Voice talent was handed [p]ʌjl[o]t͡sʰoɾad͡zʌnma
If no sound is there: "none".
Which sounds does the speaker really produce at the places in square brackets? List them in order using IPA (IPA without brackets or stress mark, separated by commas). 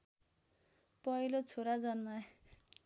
p, o